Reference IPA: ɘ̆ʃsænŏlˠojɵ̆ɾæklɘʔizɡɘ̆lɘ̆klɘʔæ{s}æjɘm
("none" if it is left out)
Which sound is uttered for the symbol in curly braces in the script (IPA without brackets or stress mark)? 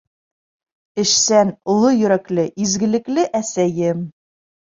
s